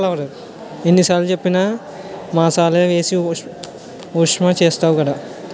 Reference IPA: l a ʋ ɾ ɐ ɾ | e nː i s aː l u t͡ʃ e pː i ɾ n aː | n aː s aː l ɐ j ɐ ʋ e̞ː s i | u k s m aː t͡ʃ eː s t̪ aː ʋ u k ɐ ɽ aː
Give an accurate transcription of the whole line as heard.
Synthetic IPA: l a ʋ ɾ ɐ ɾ | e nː i s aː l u t͡ʃ e pː i n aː | m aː s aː l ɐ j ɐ ʋ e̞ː s i | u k ʂ m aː t͡ʃ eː s t̪ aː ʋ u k ɐ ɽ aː